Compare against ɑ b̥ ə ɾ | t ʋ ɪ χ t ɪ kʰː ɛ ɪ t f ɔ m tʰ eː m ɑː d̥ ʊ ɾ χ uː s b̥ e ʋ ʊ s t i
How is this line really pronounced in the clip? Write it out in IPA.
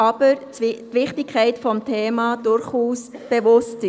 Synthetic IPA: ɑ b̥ ə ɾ | t ʋ ɪ χ t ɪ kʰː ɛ ɪ t f ɔ m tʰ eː m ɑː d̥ ʊ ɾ χ uː s b̥ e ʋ ʊ s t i